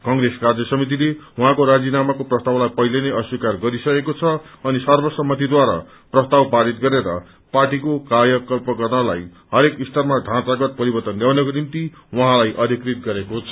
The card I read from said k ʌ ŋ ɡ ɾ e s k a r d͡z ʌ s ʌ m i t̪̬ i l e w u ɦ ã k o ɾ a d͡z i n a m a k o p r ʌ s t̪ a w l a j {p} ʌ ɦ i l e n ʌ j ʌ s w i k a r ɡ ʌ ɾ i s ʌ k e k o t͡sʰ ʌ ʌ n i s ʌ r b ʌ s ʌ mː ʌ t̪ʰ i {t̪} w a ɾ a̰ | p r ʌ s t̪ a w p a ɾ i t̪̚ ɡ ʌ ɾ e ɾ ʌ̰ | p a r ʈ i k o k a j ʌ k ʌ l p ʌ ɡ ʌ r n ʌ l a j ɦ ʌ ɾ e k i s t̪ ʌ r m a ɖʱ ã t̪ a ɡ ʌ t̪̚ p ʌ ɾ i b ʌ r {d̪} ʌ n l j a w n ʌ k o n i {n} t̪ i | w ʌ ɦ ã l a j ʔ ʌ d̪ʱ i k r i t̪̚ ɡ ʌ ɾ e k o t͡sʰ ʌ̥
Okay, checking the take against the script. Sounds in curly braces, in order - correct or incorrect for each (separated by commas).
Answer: correct, incorrect, incorrect, incorrect